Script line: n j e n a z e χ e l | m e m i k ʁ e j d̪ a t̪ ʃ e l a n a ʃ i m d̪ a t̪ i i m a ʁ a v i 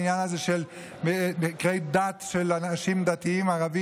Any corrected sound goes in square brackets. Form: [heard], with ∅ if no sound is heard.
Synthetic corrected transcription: n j [a] n a z e [ʃ] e l | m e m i k ʁ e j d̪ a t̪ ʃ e l a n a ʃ i m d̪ a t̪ i i m a ʁ a v i